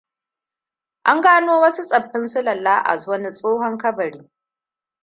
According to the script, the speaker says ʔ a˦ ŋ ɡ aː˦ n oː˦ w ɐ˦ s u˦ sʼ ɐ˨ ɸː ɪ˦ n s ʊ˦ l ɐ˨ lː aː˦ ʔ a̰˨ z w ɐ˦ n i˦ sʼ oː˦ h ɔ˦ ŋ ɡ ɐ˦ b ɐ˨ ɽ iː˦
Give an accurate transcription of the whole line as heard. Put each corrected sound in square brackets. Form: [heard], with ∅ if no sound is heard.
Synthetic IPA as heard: ʔ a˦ ŋ ɡ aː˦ n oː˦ w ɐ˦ s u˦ sʼ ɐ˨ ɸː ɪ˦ n s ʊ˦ l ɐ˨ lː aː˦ ʔ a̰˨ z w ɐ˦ n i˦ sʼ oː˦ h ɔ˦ ŋ [k] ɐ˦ b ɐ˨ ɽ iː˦